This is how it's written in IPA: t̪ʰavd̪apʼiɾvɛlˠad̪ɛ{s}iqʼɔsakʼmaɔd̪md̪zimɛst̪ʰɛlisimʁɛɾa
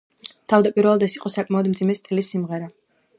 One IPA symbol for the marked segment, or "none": s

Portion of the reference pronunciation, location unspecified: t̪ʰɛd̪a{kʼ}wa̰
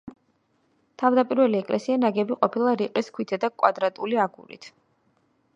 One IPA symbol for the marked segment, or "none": kʼ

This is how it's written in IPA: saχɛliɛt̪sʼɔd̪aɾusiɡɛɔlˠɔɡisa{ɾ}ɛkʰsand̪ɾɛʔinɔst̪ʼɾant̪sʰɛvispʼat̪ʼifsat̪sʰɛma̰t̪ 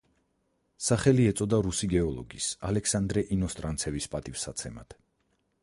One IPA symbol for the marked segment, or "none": l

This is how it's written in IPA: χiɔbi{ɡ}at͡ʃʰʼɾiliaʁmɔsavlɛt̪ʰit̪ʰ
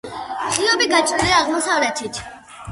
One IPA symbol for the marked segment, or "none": ɡ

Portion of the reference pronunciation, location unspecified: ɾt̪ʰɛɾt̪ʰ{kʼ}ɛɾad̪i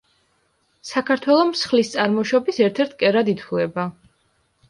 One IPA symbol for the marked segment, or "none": kʼ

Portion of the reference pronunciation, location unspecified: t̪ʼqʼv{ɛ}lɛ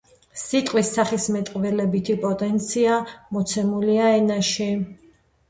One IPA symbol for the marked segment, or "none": ɛ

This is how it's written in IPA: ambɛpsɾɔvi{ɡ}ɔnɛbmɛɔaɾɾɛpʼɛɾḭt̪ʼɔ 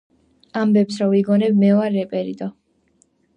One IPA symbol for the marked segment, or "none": ɡ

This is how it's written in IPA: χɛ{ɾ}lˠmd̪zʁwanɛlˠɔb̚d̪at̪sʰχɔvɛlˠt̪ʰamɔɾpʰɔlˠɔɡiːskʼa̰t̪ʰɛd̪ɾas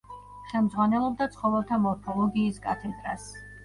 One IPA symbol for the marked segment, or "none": none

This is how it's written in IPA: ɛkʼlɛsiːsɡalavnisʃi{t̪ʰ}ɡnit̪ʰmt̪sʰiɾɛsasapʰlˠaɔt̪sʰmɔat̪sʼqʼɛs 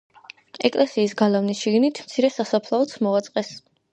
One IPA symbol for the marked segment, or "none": none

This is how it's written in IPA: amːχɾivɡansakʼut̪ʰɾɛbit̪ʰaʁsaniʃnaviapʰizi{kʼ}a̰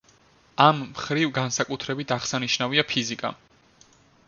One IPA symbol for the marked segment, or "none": kʼ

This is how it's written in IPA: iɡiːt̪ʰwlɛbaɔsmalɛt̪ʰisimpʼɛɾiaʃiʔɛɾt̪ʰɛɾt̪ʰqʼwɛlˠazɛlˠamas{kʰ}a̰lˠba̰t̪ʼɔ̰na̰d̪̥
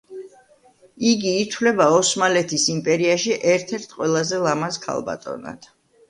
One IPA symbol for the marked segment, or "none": kʰ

